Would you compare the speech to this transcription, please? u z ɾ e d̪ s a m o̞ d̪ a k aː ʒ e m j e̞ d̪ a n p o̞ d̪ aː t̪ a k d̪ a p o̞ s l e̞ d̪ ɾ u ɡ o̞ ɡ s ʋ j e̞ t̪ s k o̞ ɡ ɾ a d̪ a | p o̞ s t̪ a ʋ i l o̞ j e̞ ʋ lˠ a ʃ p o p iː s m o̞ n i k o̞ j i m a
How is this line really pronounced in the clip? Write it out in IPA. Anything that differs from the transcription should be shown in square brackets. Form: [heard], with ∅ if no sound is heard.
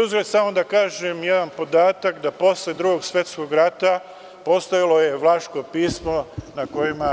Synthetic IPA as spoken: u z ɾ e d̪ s a m o̞ d̪ a k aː ʒ e m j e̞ d̪ a n p o̞ d̪ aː t̪ a k d̪ a p o̞ s l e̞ d̪ ɾ u ɡ o̞ ɡ s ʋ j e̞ t̪ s k o̞ ɡ ɾ a [t̪] a | p o̞ s t̪ a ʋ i l o̞ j e̞ ʋ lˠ a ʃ [k] o p iː s m o̞ n [a] k o̞ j i m a

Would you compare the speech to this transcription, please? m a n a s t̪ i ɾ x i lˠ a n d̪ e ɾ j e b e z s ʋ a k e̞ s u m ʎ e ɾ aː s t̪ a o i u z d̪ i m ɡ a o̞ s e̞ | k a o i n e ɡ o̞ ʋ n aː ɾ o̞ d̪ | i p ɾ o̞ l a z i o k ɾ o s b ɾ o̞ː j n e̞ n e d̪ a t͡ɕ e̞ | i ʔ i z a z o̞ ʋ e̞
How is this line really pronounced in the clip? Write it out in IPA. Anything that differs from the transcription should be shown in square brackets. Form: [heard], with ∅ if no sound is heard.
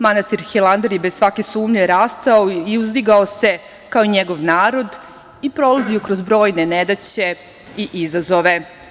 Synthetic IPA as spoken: m a n a s t̪ i ɾ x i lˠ a n d̪ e ɾ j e b e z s ʋ a k e̞ s [uː] m ʎ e ɾ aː s t̪ a o i u z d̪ i [∅] ɡ a o̞ s e̞ | k a o i [ɲ] e ɡ o̞ ʋ n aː ɾ o̞ d̪ | i p ɾ o̞ l a z i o k ɾ o [z] b ɾ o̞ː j n e̞ n e d̪ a t͡ɕ e̞ | i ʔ i z a z o̞ ʋ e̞

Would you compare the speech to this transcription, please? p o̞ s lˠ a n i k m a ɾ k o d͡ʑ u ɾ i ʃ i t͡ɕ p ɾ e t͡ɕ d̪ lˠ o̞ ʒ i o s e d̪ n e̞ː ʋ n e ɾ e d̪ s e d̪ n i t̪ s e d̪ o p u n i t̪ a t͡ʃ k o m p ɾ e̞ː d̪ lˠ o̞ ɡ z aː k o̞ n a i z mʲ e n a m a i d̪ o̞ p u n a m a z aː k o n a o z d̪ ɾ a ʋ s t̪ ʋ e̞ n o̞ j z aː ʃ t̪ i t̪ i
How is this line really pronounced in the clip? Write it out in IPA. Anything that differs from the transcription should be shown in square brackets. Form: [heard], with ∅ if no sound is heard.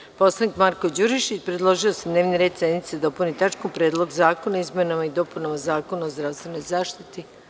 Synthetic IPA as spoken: p o̞ s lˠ a n i k m a ɾ k o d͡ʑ u ɾ i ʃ i t͡ɕ p ɾ e [∅] d̪ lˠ o̞ ʒ i o s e d̪ n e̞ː ʋ n [i] ɾ e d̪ s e d̪ n i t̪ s e d̪ o p u n i t̪ a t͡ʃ k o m p ɾ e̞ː d̪ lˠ o̞ ɡ z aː k o̞ n a i z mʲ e n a m a i d̪ o̞ p u n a m a z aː k o n a o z d̪ ɾ a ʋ s t̪ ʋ e̞ n o̞ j z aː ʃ t̪ i t̪ i

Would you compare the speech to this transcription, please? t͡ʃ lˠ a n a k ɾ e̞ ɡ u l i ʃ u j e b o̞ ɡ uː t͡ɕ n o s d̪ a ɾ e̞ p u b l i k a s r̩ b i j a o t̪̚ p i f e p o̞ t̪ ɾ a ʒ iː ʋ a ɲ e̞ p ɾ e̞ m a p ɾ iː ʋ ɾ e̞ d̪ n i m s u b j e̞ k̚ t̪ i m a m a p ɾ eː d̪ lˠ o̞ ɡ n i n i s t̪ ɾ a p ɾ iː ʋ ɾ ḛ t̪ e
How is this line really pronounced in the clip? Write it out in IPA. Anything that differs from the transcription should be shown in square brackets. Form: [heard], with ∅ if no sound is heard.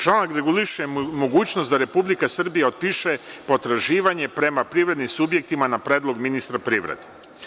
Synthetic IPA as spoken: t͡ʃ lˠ a n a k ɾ e̞ ɡ u l i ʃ u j e [m] o̞ ɡ uː t͡ɕ n o s d̪ a ɾ e̞ p u b l i k a s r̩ b i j a o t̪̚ p i [ʃ] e p o̞ t̪ ɾ a ʒ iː ʋ a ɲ e̞ p ɾ e̞ m a p ɾ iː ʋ ɾ e̞ d̪ n i m s u b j e̞ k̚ t̪ i m a [n] a p ɾ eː d̪ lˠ o̞ ɡ [m] i n i s t̪ ɾ a p ɾ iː ʋ ɾ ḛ [d̪] e

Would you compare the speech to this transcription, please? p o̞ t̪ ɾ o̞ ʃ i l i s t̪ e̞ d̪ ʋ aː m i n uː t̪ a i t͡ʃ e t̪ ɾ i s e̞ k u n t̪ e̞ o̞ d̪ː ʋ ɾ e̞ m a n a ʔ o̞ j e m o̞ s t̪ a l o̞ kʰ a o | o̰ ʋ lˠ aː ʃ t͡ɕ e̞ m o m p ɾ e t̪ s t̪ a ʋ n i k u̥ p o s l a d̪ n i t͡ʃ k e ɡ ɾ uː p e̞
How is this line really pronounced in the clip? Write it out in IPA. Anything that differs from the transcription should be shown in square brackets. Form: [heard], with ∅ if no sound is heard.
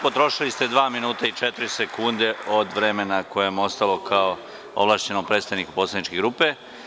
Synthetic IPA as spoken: p o̞ t̪ ɾ o̞ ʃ i l i s t̪ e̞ d̪ ʋ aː m i n uː t̪ a i t͡ʃ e t̪ ɾ i s e̞ k u n [d̪] e̞ o̞ [d̪] ʋ ɾ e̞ m [e] n a [k] o̞ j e m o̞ s t̪ a l o̞ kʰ a o | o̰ ʋ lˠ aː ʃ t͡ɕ e̞ [n] o m p ɾ e t̪ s t̪ a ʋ n i k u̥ p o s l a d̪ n i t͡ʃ k e ɡ ɾ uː p e̞

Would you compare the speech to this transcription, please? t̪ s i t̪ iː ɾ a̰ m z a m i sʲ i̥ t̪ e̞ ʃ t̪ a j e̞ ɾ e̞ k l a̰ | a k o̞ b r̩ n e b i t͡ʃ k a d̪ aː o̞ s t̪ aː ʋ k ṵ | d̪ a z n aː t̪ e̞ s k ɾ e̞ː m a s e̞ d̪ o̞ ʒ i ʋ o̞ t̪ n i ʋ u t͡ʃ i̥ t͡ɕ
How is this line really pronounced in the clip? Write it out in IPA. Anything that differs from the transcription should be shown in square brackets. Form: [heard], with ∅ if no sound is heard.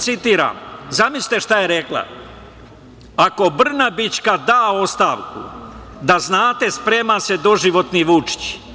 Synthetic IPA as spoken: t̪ s i t̪ iː ɾ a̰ m z a m i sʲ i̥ t̪ e̞ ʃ t̪ a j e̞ ɾ e̞ k l a̰ | a k o̞ b r̩ n [a] b i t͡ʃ k a d̪ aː o̞ s t̪ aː ʋ k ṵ | d̪ a z n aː t̪ e̞ s [p] ɾ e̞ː m a s e̞ d̪ o̞ ʒ i ʋ o̞ t̪ n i ʋ u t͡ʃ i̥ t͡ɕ

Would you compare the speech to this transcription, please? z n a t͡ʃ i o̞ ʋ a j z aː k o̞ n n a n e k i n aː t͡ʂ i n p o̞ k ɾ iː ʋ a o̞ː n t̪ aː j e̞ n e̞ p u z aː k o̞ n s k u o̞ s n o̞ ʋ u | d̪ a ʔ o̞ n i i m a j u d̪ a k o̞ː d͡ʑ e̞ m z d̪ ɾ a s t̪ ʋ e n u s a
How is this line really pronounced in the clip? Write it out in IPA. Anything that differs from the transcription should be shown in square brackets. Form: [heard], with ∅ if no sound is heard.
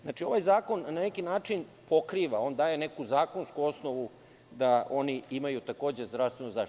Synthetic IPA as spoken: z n a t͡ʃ i o̞ ʋ a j z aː k o̞ n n a n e k i n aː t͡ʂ i n p o̞ k ɾ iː ʋ a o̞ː n [d̪] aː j e̞ n e̞ [k] u z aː k o̞ n s k u o̞ s n o̞ ʋ u | d̪ a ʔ o̞ n i i m a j u [t̪] a k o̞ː d͡ʑ e̞ [∅] z d̪ ɾ a s t̪ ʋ e n u [z] a

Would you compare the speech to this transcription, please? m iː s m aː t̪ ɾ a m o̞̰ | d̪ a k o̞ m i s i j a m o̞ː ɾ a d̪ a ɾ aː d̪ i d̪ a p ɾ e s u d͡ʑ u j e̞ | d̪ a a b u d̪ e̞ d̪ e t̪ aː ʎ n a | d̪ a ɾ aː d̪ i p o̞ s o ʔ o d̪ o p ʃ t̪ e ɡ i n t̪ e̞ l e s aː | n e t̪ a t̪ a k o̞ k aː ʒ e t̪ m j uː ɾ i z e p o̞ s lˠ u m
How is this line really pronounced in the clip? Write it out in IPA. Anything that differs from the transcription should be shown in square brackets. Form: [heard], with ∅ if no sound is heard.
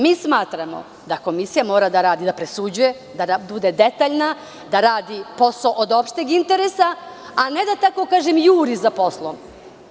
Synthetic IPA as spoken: m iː s m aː t̪ ɾ a m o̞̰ | d̪ a k o̞ m i s i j a m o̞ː ɾ a d̪ a ɾ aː d̪ i d̪ a p ɾ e s u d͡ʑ u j e̞ | d̪ a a b u d̪ e̞ d̪ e t̪ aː ʎ n a | d̪ a ɾ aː d̪ i p o̞ s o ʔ o d̪ o p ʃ t̪ e ɡ i n t̪ e̞ [ɾ] e s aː | n e [d̪] a t̪ a k o̞ k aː ʒ e [∅] m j uː ɾ i z [a] p o̞ s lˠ [o] m

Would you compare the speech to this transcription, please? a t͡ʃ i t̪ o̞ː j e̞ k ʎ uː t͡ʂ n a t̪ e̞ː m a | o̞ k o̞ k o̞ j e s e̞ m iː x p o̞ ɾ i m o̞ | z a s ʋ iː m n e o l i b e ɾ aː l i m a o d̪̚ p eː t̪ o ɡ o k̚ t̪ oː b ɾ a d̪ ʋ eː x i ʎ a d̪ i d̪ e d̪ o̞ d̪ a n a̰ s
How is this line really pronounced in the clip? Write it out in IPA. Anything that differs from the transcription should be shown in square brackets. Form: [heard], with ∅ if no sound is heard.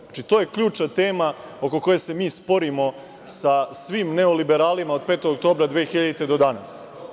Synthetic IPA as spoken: a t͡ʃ i t̪ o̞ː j e̞ k ʎ uː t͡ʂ n a t̪ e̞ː m a | o̞ k o̞ k o̞ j e s e̞ m iː [s] p o̞ ɾ i m o̞ | [s] a s ʋ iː m n e o l i b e ɾ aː l i m a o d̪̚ p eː t̪ o ɡ o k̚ t̪ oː b ɾ a d̪ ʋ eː x i ʎ a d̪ i [t̪] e d̪ o̞ d̪ a n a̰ s

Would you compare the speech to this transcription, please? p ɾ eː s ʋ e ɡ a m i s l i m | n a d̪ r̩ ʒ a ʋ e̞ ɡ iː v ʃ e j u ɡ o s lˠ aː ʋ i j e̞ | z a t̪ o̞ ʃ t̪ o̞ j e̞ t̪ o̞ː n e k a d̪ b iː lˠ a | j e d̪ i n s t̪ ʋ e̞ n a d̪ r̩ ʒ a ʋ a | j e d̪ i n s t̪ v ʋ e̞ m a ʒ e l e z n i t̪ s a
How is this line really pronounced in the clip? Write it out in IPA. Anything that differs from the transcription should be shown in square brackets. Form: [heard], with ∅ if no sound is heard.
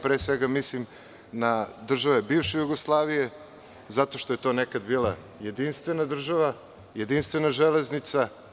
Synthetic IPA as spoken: p ɾ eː s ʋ e ɡ a m i s l i m | n a d̪ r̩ ʒ a ʋ e̞ [b] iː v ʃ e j u ɡ o s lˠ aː ʋ i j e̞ | z a t̪ o̞ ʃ t̪ o̞ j e̞ t̪ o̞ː n e k a d̪ b iː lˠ a | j e d̪ i n s t̪ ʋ e̞ n a d̪ r̩ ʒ a ʋ a | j e d̪ i n s t̪ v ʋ e̞ [n] a ʒ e l e z n i t̪ s a

